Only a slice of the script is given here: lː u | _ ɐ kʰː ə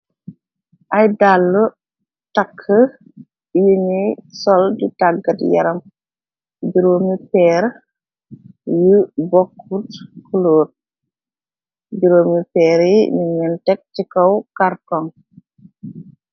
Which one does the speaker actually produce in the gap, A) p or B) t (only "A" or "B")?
B